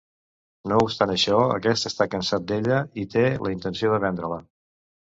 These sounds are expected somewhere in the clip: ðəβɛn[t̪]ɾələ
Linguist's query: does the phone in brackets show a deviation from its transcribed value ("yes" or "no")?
yes